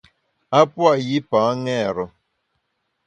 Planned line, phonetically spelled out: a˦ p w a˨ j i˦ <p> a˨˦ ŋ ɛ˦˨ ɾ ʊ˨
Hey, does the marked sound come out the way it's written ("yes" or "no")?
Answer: yes